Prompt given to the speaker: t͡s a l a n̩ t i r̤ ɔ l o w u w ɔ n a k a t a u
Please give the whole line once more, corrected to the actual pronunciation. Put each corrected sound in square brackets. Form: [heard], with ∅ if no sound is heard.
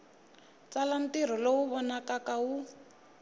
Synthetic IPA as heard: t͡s a l a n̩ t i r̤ ɔ l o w u [β] ɔ n a k a [k] a u